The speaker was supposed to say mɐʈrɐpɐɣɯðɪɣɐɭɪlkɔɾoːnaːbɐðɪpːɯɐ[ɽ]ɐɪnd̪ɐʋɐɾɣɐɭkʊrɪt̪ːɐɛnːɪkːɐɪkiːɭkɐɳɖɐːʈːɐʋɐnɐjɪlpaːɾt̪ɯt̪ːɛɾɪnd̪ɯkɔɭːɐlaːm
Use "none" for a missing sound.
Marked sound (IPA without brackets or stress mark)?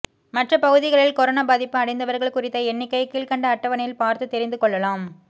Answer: ɽ